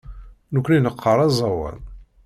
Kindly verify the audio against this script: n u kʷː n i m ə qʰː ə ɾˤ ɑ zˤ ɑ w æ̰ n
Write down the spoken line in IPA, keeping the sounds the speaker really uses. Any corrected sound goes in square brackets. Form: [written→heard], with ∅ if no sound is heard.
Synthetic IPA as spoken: n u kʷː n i [m→n] ə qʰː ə ɾˤ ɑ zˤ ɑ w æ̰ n